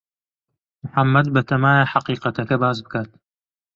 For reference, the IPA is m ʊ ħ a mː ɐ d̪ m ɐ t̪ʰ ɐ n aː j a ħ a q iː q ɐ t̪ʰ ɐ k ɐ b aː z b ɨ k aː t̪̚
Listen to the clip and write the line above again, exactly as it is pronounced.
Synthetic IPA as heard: m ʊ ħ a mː ɐ d̪ b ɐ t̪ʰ ɐ m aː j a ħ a q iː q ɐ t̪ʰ ɐ k ɐ b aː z b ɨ k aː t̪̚